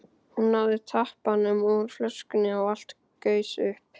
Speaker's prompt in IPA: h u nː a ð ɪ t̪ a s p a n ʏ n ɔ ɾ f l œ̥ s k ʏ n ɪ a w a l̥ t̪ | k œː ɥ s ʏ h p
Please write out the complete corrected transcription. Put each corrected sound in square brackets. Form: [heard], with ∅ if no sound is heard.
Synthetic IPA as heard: h u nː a ð ɪ [t̪ʰ] a [h] p a n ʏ [m] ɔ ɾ f l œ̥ s k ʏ n ɪ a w a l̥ t̪ | k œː ɥ s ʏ h p